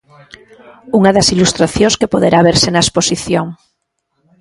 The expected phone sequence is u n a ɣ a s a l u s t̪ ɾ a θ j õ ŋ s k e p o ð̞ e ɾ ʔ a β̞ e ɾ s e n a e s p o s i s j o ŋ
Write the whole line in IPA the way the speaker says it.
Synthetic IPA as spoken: u ŋ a ð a s i l u s t̪ ɾ a θ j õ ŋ s k e p o ð̞ e ɾ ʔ a β̞ e ɾ s e n a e s p o s i θ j o ŋ